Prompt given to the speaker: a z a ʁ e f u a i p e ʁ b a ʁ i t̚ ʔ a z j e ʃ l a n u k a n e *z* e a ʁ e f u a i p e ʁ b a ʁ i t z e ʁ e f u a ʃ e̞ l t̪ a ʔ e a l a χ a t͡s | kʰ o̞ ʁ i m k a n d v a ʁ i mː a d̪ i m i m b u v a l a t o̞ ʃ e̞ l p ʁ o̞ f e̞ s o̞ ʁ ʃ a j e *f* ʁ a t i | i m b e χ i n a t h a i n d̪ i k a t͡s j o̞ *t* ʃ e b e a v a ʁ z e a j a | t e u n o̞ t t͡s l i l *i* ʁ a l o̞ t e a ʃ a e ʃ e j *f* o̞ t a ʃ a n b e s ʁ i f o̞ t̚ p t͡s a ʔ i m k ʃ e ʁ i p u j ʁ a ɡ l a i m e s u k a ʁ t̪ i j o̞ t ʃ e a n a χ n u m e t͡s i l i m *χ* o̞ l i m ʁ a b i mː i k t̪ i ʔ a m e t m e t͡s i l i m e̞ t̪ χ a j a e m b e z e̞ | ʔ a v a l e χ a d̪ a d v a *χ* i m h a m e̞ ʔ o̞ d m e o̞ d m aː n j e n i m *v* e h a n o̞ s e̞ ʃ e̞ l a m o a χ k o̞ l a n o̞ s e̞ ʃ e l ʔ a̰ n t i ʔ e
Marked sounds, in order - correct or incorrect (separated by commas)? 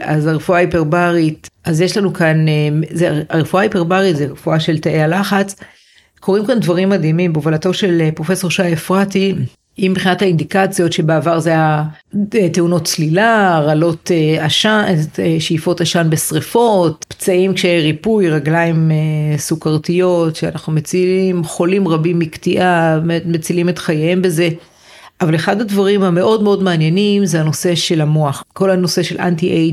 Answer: correct, correct, correct, incorrect, correct, correct, incorrect, incorrect